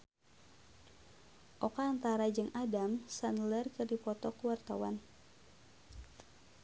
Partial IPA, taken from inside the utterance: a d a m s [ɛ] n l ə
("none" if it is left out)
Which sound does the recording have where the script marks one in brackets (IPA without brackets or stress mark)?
a